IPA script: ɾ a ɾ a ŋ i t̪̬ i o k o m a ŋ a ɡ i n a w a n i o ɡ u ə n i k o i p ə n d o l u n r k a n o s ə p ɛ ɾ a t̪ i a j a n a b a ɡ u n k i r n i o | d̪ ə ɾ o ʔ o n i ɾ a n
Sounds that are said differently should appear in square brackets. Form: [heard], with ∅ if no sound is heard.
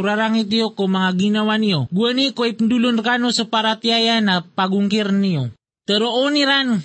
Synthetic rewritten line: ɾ a ɾ a ŋ i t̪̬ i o k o m a ŋ a ɡ i n a w a n i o ɡ u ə n i k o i p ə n d [u] l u n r k a n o s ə p [a] ɾ a t̪ i a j a n a [p] a ɡ u [ŋ] k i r n i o | [t̪] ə ɾ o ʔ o n i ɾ a n